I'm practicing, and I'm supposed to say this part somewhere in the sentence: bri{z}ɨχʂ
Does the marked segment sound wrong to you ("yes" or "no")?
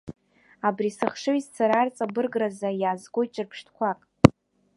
yes